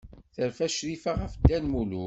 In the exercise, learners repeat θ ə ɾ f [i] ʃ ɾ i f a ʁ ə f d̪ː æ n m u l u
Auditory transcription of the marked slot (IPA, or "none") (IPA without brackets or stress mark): æ